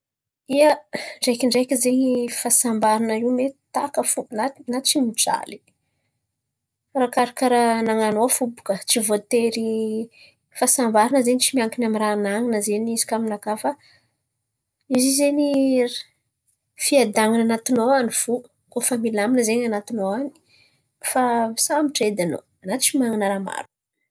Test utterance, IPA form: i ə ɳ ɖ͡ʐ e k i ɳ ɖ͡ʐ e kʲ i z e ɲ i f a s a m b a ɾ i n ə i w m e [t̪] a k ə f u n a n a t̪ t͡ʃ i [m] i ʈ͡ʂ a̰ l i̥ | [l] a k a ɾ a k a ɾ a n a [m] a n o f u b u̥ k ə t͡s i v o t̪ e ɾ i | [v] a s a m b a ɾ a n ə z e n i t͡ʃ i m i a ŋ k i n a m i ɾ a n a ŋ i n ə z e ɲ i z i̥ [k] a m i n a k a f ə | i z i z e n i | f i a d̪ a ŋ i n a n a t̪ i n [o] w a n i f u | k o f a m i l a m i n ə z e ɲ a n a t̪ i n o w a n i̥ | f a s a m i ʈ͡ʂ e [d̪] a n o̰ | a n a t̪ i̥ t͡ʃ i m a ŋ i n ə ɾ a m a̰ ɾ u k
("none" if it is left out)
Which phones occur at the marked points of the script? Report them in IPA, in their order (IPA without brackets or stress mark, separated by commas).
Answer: t̪, m, r, ŋ, f, k, o, d̪